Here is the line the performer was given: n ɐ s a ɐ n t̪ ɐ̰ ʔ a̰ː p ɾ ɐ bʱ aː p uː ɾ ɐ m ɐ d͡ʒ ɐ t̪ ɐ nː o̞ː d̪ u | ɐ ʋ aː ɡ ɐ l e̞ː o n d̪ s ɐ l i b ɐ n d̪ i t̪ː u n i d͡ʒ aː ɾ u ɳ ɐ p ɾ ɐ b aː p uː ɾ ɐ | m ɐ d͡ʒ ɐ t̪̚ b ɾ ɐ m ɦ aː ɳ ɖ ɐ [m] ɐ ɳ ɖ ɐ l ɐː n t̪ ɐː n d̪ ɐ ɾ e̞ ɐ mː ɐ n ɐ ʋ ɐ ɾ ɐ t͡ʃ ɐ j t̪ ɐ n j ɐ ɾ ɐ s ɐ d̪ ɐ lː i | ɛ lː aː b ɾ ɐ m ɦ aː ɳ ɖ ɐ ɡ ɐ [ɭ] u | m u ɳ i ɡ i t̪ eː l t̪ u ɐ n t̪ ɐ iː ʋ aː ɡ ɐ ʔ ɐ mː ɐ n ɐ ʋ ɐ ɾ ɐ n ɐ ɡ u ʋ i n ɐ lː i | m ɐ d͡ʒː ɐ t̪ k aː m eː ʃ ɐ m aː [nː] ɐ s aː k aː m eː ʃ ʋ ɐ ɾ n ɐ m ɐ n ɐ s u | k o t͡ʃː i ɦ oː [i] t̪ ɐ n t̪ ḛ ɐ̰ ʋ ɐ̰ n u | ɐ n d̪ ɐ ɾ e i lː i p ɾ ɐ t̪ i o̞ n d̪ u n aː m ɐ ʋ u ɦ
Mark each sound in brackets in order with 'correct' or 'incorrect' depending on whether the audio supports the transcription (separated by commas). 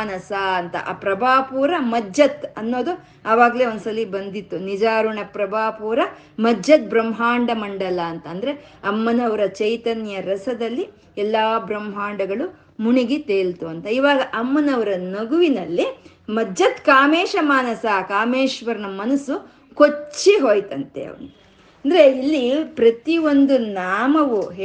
correct, correct, incorrect, incorrect